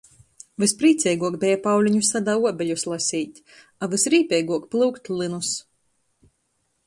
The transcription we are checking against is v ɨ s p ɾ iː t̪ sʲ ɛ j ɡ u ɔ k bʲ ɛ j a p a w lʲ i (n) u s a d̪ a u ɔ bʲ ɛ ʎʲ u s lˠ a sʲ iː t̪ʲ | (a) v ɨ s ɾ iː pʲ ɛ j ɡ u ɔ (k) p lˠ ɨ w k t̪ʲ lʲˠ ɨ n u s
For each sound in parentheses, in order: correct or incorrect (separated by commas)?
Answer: incorrect, correct, correct